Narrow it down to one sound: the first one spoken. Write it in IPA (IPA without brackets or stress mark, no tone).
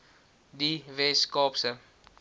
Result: d